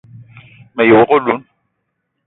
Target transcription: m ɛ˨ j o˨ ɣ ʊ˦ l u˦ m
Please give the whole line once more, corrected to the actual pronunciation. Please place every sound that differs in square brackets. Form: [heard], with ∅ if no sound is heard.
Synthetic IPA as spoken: m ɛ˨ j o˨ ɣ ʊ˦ l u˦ [n]